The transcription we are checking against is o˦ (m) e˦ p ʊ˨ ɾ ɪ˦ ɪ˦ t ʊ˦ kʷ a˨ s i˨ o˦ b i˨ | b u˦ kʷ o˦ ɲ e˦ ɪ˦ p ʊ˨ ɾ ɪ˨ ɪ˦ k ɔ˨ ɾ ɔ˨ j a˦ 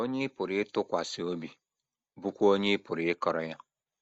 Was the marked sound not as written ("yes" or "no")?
yes